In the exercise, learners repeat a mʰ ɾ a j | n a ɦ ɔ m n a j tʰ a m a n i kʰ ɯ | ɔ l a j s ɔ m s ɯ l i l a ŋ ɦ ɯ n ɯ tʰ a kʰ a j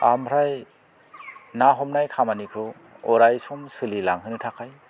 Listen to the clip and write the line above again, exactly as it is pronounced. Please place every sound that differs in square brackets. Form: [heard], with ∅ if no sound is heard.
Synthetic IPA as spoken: a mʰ ɾ a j | n a ɦ ɔ m n a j [kʰ] a m a n i kʰ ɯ | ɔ [ɾ] a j s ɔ m s ɯ l i l a ŋ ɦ ɯ n ɯ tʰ a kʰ a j